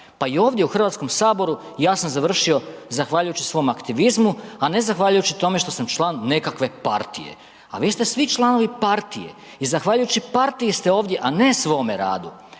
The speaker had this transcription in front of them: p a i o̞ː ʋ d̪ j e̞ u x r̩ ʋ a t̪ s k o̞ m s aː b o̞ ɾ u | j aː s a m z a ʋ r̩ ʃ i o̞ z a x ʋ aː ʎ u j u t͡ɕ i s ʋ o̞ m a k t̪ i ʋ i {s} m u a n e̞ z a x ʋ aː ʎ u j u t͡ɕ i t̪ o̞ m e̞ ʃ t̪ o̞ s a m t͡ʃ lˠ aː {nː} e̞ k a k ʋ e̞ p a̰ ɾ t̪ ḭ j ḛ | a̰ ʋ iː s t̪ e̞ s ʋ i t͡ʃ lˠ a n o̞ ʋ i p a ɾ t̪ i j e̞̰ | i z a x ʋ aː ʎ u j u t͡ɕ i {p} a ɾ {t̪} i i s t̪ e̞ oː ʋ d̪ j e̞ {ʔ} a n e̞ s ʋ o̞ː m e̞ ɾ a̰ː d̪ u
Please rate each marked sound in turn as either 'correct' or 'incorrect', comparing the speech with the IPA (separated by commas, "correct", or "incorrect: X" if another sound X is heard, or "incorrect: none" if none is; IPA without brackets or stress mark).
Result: incorrect: z, correct, correct, correct, correct